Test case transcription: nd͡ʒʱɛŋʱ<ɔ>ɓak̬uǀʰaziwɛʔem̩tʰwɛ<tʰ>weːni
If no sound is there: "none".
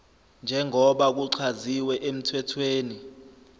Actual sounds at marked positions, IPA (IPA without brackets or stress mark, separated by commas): ɔ, tʰ